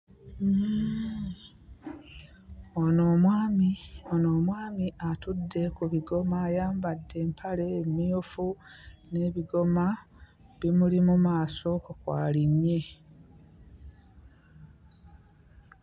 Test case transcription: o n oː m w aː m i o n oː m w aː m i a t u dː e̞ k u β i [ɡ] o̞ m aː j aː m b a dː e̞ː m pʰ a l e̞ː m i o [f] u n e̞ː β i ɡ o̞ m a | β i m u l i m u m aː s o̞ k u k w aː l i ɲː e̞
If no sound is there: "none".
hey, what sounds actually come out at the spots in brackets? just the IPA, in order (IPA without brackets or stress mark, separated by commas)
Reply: ɡ, f